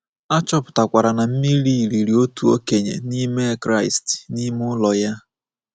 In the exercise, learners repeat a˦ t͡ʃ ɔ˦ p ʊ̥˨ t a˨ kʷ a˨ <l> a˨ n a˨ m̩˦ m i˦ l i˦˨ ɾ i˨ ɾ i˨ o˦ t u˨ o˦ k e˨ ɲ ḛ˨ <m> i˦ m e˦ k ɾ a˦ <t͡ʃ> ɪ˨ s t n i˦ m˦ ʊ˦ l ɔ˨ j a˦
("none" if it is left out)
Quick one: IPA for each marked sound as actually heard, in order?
ɾ, n, none

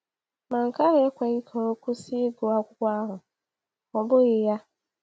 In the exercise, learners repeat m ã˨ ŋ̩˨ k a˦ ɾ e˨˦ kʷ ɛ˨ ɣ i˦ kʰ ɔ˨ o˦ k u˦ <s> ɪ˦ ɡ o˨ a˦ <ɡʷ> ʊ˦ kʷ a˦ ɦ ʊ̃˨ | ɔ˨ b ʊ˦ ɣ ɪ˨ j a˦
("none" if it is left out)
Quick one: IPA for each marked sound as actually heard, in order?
s, kʷ

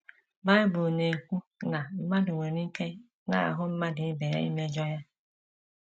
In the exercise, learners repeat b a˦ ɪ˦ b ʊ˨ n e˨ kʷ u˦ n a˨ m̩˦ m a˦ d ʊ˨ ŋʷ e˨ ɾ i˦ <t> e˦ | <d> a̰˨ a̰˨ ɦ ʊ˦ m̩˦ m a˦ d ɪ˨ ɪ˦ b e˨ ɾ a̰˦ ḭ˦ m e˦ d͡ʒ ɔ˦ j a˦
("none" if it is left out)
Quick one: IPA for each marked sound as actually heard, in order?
k, n

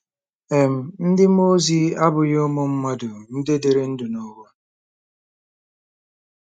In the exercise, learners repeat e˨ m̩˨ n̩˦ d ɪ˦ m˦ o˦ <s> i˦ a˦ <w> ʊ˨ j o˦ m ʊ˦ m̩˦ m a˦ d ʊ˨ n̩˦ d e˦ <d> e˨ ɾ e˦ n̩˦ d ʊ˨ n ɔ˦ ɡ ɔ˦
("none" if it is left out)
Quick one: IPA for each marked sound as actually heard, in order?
z, b, d

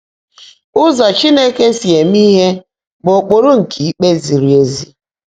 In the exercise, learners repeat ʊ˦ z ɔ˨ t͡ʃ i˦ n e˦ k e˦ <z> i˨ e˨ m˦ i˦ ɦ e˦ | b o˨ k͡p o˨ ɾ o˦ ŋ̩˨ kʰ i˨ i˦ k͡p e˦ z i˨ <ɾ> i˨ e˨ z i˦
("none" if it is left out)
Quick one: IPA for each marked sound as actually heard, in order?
s, ɾ

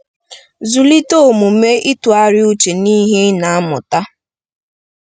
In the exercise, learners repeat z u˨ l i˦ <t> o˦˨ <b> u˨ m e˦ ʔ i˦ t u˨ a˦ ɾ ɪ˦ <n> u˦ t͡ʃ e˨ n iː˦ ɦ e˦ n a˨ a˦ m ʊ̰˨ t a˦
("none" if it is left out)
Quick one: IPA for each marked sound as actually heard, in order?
t, m, none

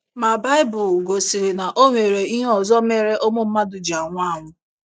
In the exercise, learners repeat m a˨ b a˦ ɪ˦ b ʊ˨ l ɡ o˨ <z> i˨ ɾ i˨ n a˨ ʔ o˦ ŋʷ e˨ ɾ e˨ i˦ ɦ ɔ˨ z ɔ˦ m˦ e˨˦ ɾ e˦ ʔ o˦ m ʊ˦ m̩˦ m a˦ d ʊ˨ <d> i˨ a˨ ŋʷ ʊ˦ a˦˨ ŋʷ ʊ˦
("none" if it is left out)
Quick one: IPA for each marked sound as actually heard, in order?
s, d͡ʒ

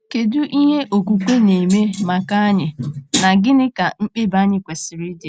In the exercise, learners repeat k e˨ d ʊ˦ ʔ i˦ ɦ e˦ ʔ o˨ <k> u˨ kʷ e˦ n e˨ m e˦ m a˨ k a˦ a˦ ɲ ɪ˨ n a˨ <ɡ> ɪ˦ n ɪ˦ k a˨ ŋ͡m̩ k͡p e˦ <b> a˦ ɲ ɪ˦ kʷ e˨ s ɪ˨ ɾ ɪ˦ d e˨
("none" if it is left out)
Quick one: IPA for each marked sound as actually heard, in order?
k, ɡ, b

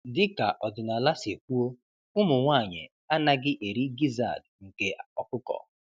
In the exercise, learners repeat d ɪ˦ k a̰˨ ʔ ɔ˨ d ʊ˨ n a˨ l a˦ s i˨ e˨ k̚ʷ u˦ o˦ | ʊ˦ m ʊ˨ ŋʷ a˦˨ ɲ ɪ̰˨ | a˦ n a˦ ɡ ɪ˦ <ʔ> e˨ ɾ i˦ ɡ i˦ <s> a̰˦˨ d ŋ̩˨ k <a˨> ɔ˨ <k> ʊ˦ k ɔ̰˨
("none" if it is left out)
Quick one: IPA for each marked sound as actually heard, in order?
ʔ, z, e˨, k

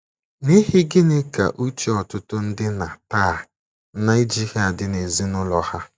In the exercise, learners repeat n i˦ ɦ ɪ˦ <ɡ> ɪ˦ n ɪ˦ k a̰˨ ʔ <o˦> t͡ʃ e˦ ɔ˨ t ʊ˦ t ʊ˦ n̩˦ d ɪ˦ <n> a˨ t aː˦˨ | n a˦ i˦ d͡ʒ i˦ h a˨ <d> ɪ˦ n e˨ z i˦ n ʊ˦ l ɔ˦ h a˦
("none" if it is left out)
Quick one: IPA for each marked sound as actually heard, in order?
ɡ, u˦, n, d

